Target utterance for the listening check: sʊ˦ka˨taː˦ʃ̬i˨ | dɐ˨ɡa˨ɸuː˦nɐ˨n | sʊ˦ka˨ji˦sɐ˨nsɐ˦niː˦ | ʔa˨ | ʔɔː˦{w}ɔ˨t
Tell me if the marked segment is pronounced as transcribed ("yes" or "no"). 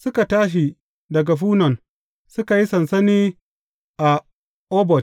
no